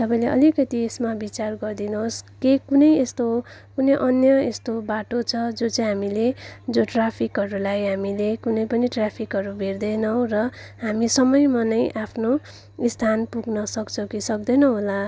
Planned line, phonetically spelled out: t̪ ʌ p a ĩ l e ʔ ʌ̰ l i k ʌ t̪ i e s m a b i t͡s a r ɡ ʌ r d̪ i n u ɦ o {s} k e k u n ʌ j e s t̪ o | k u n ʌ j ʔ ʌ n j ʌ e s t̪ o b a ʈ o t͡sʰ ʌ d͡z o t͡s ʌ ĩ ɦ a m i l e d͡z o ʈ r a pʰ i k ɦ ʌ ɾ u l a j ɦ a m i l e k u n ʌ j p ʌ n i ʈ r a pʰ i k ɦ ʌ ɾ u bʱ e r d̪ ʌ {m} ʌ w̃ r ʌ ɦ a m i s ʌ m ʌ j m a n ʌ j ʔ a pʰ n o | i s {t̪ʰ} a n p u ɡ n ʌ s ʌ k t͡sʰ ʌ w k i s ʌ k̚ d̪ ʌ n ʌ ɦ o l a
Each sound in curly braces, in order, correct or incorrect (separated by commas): correct, incorrect, correct